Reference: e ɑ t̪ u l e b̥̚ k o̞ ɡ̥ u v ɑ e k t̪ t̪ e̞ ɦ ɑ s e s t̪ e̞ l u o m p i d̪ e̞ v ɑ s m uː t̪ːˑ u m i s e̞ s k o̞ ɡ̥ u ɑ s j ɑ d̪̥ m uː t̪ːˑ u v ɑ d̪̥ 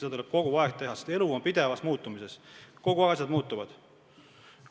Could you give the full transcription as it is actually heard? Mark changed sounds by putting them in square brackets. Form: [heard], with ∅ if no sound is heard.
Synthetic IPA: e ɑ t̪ u l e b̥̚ k o̞ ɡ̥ u v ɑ e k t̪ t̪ e̞ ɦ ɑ s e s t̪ e̞ l u o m p i d̪ e̞ v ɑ s m uː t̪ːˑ u m i s e̞ s k o̞ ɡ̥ u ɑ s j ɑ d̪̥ m uː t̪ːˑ u v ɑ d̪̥

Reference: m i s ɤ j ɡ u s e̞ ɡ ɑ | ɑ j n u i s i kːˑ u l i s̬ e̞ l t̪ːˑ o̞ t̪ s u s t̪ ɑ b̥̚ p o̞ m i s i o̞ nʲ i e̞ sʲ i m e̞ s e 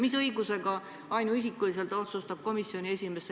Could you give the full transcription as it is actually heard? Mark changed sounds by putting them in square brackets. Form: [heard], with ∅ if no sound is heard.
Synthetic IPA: m i s ɤ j ɡ u s e̞ ɡ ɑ | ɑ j n u i s i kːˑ u l i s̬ e̞ l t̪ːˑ o̞ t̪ s u s t̪ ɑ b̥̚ [k] o̞ m i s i o̞ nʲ i e̞ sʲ i m e̞ s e

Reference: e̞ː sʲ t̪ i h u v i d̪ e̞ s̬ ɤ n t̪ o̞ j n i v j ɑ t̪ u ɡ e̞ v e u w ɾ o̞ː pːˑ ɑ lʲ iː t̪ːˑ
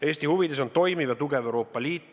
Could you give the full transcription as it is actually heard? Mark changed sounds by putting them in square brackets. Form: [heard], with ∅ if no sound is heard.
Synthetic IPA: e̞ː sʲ t̪ i h u v i d̪ e̞ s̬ [o] n t̪ o̞ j [m] i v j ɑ t̪ u ɡ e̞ v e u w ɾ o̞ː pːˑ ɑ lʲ iː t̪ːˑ

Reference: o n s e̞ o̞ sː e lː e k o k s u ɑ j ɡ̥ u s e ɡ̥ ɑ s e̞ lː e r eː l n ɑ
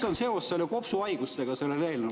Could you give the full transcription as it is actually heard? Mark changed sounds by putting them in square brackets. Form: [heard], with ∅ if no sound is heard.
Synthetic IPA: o n s e̞ o̞ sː e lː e k o [p] s u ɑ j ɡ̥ u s e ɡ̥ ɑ s e̞ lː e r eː l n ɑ

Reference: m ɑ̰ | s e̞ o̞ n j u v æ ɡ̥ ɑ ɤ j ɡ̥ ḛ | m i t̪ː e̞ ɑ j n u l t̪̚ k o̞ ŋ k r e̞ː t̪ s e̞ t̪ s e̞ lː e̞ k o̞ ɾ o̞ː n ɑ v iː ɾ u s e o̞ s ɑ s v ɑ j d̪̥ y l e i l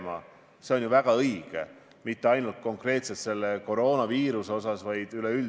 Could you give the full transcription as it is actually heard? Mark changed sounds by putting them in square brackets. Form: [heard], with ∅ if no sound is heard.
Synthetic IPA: m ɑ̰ | s e̞ o̞ n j u v æ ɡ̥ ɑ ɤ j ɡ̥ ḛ | m i t̪ː e̞ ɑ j n u l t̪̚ k o̞ ŋ k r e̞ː t̪ s e̞ t̪ s e̞ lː e̞ k o̞ ɾ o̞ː n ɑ v iː ɾ u s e o̞ s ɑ s v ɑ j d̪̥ y l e [y] l

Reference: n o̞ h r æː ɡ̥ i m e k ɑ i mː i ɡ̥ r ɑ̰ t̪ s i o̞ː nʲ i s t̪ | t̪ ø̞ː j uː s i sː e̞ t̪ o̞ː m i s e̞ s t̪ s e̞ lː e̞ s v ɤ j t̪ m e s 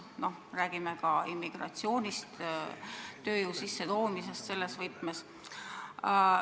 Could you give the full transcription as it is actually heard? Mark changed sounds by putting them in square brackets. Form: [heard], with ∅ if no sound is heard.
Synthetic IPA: n o̞ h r æː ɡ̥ i m e k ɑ i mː i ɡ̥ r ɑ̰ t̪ s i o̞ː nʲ i s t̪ | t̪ ø̞ː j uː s i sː e̞ t̪ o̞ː m i s e̞ s t̪ s e̞ lː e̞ s v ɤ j t̪ m e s

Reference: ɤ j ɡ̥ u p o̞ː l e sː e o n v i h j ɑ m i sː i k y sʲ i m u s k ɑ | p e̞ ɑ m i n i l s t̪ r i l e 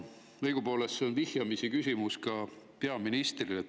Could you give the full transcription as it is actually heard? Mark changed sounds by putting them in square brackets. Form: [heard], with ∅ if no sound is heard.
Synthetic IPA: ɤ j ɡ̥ u p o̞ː l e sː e o n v i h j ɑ m i [s] i k y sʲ i m u s k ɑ | p e̞ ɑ m i n i [∅] s t̪ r i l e

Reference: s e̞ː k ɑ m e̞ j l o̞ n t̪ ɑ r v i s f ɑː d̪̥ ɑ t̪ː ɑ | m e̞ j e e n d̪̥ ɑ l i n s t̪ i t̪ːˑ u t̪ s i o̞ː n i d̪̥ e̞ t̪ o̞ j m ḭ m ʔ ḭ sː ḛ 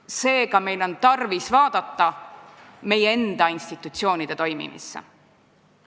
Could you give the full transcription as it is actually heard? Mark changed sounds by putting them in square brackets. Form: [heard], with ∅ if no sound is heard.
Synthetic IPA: s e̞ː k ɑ m e̞ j l o̞ n t̪ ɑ r v i s [v] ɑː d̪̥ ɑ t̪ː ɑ | m e̞ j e e n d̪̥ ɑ [∅] i n s t̪ i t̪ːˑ u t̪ s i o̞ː n i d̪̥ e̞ t̪ o̞ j m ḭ m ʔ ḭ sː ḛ

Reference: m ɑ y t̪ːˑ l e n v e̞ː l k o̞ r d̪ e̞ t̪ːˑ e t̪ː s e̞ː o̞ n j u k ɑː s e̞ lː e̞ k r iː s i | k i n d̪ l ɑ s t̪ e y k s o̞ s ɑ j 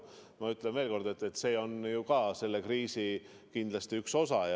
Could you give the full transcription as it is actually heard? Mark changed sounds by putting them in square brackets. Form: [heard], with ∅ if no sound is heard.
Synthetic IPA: m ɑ y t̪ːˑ l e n v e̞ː l k o̞ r d̪ e̞ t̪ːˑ e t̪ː s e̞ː o̞ n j u k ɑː s e̞ lː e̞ k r iː s i | k i n d̪ l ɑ s t̪ [i] y k s o̞ s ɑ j

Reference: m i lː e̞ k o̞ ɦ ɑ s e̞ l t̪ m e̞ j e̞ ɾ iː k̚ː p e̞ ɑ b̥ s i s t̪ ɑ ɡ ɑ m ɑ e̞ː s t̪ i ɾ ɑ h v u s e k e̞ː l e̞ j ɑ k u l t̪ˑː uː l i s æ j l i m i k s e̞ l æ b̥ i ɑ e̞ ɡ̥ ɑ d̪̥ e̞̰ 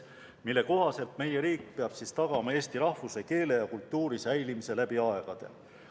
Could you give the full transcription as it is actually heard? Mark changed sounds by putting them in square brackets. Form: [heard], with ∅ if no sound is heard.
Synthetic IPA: m i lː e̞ k o̞ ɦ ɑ s e̞ l t̪ m e̞ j e̞ ɾ iː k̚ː p e̞ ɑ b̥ s i s t̪ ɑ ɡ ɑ m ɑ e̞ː s t̪ i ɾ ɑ h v u s e k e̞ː l e̞ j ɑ k u l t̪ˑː uː [ɾ] i s æ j l i m i [∅] s e̞ l æ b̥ i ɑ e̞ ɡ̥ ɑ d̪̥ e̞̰

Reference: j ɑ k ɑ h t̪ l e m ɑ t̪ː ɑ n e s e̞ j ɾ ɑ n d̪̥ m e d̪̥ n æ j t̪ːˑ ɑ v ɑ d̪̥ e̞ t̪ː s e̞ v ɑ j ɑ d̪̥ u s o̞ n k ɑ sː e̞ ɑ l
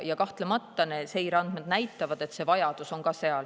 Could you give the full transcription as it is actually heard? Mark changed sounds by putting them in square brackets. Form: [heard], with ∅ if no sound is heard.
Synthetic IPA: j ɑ k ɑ h t̪ l e m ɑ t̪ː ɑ n e s e̞ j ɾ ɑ n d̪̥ m e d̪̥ n æ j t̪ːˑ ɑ v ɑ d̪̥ e̞ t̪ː s e̞ v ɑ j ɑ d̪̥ u s o̞ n k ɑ [s] e̞ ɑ l

